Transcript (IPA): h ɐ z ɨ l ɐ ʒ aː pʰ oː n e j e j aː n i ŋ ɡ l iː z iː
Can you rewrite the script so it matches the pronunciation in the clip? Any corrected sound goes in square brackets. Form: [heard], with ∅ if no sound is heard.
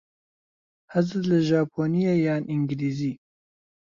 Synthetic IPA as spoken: h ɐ z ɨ l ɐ ʒ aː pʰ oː n [i] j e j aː n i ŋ ɡ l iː z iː